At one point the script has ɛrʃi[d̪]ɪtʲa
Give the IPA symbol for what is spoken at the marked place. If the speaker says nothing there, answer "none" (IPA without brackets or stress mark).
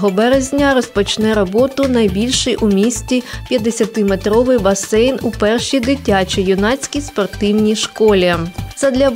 d̪